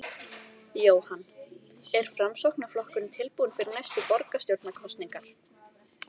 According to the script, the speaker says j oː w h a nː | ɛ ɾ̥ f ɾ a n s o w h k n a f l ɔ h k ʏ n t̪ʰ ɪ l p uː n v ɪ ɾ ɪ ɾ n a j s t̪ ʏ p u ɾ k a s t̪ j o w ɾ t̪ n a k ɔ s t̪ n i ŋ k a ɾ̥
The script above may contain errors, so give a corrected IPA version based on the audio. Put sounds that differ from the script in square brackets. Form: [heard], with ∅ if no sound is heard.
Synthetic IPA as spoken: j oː w h a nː | ɛ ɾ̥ f ɾ a [m] s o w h k n a f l ɔ h k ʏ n t̪ʰ ɪ l p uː n [f] ɪ ɾ ɪ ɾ n a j s t̪ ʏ p [ɔ] ɾ k a s t̪ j o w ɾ t̪ n a [kʰ] ɔ s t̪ n i ŋ k a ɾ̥